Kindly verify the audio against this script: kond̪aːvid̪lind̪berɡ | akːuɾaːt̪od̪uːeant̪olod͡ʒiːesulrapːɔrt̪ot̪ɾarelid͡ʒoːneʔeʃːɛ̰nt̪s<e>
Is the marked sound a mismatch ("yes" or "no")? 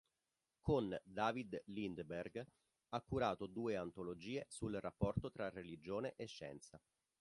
yes